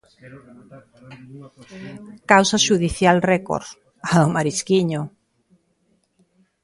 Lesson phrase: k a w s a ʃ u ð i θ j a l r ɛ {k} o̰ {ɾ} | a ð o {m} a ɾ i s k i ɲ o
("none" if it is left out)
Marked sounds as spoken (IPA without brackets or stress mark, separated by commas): k, ɾ, m